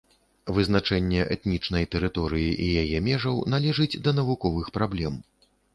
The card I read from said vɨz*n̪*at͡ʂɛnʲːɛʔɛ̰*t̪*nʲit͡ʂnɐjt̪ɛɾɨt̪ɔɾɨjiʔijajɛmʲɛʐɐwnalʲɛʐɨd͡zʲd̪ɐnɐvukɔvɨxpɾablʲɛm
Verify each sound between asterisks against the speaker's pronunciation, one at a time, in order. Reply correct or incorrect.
correct, correct

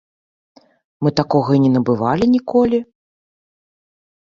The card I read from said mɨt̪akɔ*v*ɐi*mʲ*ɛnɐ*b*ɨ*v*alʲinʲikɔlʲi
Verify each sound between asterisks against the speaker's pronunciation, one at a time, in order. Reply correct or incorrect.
incorrect: ɣ, incorrect: nʲ, correct, correct

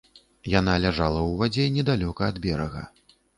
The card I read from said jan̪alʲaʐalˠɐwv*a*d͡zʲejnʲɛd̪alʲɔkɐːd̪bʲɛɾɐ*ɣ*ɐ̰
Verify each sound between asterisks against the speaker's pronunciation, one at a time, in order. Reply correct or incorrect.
correct, correct

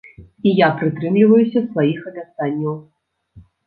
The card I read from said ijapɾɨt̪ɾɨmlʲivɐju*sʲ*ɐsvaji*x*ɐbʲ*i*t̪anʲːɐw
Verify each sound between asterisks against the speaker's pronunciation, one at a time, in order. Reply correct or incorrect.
correct, correct, incorrect: a

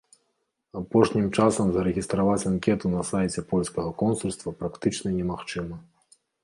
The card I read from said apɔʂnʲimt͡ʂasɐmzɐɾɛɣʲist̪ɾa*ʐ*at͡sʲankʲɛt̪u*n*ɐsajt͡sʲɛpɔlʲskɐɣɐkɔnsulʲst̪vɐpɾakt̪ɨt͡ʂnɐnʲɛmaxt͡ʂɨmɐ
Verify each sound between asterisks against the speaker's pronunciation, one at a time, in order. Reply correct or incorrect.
incorrect: v, correct

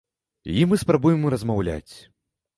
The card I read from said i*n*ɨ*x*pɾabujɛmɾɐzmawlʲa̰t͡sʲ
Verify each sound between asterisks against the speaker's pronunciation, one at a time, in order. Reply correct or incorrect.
incorrect: m, incorrect: s

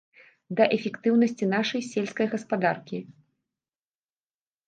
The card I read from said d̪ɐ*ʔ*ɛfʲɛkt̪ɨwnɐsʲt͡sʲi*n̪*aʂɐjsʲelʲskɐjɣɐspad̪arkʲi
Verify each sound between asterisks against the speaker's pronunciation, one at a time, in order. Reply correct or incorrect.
correct, correct

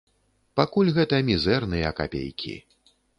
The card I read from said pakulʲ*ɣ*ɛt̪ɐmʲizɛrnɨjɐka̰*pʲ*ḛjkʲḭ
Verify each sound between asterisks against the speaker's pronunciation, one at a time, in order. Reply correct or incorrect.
correct, correct

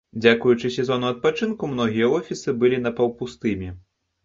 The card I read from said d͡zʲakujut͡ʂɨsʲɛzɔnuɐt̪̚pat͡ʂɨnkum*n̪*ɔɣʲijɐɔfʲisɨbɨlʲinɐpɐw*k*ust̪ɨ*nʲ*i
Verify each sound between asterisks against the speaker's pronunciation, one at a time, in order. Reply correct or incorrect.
correct, incorrect: p, incorrect: mʲ

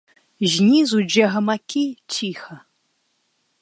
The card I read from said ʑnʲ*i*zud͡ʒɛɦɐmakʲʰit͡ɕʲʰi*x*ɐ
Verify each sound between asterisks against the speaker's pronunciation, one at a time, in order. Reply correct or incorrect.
correct, correct

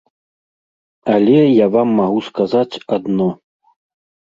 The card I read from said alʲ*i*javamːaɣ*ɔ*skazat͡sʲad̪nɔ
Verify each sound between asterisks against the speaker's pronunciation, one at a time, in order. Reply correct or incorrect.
incorrect: ɛ, incorrect: u

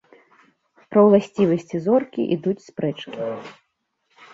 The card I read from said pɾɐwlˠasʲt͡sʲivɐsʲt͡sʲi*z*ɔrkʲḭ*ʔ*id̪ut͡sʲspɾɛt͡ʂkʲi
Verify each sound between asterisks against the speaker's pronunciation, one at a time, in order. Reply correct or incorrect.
correct, correct

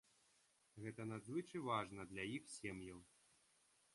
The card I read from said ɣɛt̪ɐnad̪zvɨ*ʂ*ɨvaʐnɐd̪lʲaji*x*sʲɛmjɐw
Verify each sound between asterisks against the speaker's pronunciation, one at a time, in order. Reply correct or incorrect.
incorrect: t͡ʂ, correct

